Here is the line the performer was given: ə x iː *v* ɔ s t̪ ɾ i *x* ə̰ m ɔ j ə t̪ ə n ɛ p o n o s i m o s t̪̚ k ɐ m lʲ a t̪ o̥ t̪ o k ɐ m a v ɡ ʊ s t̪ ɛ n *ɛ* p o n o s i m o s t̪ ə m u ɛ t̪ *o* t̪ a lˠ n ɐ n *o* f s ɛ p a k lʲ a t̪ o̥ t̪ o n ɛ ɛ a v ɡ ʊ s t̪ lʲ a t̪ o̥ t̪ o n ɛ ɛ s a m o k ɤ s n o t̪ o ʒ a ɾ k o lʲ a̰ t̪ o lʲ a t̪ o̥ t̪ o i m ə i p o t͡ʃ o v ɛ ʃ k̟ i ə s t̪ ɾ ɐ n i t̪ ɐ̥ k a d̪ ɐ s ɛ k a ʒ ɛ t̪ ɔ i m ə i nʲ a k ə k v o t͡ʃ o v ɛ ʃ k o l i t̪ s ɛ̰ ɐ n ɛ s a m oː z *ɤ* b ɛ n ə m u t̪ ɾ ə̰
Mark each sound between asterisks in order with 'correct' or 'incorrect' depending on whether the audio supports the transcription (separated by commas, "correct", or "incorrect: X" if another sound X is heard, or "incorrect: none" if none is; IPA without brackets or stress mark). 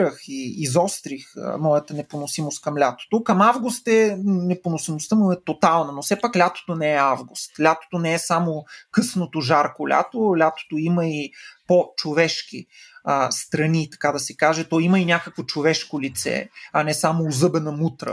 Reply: incorrect: z, correct, correct, correct, correct, correct